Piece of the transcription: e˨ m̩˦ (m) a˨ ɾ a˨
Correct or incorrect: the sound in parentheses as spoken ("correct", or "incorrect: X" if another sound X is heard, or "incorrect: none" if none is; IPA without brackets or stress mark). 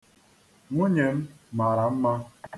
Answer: correct